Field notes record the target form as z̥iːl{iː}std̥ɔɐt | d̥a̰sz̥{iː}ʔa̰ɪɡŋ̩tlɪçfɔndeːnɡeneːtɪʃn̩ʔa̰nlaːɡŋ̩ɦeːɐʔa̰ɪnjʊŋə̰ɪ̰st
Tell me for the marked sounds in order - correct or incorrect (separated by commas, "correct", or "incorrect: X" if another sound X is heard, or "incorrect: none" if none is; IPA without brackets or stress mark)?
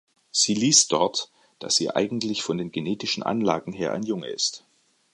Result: correct, correct